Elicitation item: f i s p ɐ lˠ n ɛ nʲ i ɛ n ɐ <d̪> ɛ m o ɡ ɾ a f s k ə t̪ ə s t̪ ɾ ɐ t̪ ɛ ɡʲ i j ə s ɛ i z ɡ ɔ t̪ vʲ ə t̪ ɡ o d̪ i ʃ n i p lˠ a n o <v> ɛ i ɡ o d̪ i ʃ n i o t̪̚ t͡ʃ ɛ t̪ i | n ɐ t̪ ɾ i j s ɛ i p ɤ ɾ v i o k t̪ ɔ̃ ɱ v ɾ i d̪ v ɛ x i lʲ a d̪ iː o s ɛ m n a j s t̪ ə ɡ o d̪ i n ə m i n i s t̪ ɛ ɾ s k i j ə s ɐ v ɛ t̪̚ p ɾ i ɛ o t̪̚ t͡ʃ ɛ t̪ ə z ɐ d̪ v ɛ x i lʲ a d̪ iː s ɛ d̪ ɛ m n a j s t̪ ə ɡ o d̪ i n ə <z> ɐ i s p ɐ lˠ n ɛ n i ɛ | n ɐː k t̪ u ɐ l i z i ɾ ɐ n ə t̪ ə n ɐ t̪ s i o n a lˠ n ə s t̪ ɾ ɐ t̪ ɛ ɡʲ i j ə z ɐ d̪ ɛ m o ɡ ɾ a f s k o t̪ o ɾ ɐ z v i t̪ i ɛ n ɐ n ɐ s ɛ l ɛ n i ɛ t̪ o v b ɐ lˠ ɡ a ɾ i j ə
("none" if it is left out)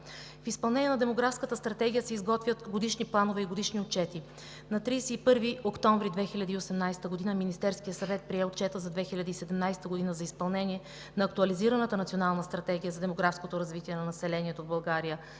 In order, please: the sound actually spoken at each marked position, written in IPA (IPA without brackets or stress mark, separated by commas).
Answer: d̪, v, z